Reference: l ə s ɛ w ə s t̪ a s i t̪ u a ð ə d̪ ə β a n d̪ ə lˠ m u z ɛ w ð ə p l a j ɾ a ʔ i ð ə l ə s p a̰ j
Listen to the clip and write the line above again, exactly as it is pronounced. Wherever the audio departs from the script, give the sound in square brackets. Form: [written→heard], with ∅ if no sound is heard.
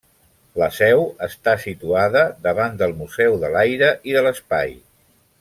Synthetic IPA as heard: l ə s ɛ w ə s t̪ a s i t̪ u a ð ə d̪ ə β a n d̪ ə lˠ m u z ɛ w ð ə [p→∅] l a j ɾ [a→ə] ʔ i ð ə l ə s p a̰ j